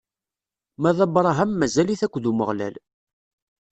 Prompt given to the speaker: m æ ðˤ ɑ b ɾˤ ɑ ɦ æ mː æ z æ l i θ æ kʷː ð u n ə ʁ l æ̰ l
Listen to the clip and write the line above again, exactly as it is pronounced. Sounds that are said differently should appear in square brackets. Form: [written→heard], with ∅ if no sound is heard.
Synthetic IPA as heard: m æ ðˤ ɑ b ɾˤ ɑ ɦ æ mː æ z æ l i θ æ kʷː ð u [n→m] ə ʁ l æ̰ l